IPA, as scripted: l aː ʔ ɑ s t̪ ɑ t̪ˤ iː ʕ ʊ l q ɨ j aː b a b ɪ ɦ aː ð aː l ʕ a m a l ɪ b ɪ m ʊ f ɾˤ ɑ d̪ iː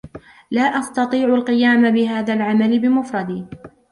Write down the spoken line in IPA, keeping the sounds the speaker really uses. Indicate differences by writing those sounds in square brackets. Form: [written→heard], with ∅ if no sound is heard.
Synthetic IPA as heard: l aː ʔ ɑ s t̪ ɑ t̪ˤ iː ʕ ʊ l q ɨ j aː [b→m] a b ɪ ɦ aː ð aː l ʕ a m a l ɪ b ɪ m ʊ f ɾˤ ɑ d̪ iː